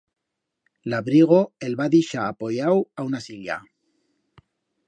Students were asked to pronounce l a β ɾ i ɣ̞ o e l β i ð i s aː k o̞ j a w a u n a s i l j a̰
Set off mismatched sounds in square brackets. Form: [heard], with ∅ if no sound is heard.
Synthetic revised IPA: l a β ɾ i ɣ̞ o e l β [a] ð i [ʃ] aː [p] o̞ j a w a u n a s i l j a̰